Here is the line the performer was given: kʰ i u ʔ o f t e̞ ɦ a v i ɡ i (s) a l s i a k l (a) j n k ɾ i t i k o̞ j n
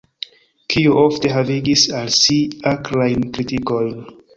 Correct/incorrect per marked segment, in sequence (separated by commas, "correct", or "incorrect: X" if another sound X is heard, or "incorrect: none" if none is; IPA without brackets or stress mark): correct, correct